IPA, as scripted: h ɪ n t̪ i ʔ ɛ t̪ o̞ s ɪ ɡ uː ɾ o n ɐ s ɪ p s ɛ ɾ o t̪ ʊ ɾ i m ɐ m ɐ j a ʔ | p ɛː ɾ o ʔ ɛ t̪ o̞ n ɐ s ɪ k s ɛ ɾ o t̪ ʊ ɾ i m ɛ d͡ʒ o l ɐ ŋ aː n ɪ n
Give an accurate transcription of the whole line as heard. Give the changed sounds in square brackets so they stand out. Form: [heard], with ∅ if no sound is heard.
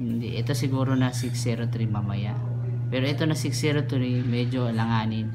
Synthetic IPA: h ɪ n [d̪] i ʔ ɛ t̪ o̞ s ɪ ɡ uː ɾ o n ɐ s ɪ [k] s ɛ ɾ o t̪ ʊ ɾ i m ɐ m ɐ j a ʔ | p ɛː ɾ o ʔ ɛ t̪ o̞ n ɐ s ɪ k s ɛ ɾ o t̪ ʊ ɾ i m ɛ d͡ʒ o l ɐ ŋ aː n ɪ n

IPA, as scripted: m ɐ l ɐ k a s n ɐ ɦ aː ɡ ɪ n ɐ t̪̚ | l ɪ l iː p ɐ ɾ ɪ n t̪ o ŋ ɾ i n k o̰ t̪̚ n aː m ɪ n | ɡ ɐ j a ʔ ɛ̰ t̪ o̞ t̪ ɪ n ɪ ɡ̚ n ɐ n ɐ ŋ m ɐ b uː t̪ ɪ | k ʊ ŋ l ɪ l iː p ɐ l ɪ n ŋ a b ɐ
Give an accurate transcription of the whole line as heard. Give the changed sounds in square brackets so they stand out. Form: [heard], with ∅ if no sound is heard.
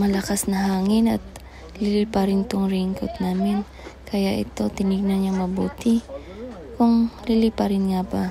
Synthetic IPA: m ɐ l ɐ k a s n ɐ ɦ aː [ŋ] ɪ n ɐ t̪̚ | l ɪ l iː p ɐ ɾ ɪ n t̪ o ŋ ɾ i [ŋ] k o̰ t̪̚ n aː m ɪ n | [k] ɐ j a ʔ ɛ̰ t̪ o̞ t̪ ɪ n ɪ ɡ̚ n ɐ n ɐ ŋ m ɐ b uː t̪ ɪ | k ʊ ŋ l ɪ l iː p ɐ [ɾ] ɪ n ŋ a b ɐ

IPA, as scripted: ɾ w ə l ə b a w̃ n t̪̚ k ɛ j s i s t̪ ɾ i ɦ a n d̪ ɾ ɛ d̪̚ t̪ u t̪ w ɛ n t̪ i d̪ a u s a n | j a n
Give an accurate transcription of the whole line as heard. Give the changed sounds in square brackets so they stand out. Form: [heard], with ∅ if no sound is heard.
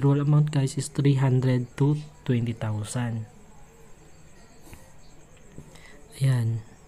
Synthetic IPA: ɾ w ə l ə [m] a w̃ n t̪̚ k [a] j s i s t̪ ɾ i ɦ a n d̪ ɾ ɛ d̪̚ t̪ u t̪ w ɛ n t̪ i [t̪] a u s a n | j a n

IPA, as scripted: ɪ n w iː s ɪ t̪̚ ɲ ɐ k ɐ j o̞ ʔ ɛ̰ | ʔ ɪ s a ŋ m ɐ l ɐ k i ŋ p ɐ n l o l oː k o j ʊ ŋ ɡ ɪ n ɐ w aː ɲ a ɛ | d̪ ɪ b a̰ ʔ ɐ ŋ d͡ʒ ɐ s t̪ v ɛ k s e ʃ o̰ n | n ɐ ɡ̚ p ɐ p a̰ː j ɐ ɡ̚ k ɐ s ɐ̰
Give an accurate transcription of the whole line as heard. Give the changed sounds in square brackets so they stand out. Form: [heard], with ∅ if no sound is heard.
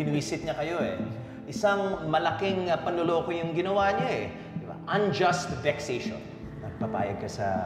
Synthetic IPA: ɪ n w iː s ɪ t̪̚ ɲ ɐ k ɐ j o̞ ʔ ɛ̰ | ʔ ɪ s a ŋ m ɐ l ɐ k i ŋ p ɐ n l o l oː k o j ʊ ŋ ɡ ɪ n ɐ w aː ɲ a ɛ | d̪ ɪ b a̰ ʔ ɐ [n] d͡ʒ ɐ s t̪ v ɛ k s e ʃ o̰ n | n ɐ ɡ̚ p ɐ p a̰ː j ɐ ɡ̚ k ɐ s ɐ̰

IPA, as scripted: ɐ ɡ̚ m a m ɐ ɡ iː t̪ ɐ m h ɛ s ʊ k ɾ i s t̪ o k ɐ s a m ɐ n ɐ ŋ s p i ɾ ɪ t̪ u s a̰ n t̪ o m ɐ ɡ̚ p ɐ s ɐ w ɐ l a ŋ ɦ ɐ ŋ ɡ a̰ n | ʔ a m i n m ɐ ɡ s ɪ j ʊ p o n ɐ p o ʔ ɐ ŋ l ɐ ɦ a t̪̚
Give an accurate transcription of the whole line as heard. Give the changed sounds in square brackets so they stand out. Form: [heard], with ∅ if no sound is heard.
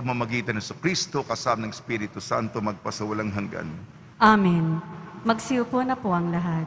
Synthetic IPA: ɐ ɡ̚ m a m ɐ ɡ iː t̪ ɐ [n] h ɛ s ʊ k ɾ i s t̪ o k ɐ s a m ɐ n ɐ ŋ s p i ɾ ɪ t̪ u s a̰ n t̪ o m ɐ ɡ̚ p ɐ s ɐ w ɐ l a ŋ ɦ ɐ ŋ ɡ a̰ n | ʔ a m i n m ɐ ɡ s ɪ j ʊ p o n ɐ p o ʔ ɐ ŋ l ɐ ɦ a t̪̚

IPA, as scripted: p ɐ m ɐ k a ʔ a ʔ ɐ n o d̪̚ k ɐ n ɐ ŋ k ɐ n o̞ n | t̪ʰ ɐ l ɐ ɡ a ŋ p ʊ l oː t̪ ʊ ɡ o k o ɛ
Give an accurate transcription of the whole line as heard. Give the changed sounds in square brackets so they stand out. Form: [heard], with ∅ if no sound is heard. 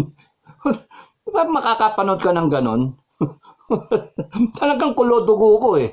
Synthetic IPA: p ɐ m ɐ k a [k] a [p] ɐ n o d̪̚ k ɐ n ɐ ŋ [ɡ] ɐ n o̞ n | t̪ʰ ɐ l ɐ ɡ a ŋ [k] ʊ l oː [d̪] ʊ ɡ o k o ɛ

